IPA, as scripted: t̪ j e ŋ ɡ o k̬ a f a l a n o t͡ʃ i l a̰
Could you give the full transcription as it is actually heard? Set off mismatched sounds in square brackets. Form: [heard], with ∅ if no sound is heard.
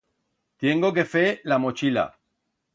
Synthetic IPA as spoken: t̪ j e ŋ ɡ o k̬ [e] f [e] l a [m] o t͡ʃ i l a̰